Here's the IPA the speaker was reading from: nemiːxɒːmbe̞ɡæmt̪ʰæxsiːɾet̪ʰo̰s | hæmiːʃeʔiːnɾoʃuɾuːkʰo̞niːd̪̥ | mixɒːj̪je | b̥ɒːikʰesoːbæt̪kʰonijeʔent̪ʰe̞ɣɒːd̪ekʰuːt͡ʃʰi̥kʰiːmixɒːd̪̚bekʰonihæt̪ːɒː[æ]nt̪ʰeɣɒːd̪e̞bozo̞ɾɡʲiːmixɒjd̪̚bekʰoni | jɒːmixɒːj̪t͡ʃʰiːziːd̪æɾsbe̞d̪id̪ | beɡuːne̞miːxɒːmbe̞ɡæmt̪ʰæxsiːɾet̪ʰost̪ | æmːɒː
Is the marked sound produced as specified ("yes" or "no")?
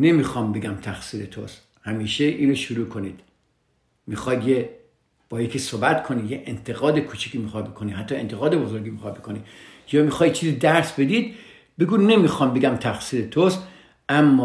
no